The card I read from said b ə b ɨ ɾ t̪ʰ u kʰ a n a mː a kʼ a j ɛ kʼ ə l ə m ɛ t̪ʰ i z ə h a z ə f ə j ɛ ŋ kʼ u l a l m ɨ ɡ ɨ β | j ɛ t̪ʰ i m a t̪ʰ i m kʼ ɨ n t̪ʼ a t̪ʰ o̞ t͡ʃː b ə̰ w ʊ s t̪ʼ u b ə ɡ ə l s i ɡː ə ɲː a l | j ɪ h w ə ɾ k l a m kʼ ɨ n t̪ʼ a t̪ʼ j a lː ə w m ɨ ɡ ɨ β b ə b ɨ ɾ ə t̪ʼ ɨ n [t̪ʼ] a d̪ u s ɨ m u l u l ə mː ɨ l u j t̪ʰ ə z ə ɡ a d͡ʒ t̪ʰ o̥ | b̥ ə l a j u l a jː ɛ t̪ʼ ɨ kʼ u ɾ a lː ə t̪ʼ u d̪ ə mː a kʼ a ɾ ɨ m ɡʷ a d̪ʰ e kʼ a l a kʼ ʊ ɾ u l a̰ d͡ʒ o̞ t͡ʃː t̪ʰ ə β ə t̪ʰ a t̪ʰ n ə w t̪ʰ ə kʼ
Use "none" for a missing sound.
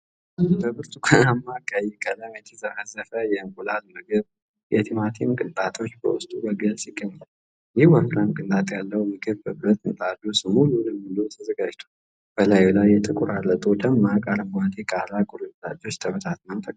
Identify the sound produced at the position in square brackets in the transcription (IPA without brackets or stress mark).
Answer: t̪ʼ